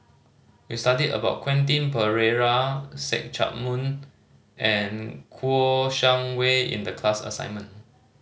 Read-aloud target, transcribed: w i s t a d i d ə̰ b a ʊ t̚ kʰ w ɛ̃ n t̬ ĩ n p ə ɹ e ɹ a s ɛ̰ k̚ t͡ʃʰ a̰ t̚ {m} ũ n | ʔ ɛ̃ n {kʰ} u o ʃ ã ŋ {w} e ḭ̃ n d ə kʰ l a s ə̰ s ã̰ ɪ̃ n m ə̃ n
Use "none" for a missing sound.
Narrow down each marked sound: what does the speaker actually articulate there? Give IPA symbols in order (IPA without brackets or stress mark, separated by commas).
m, kʰ, w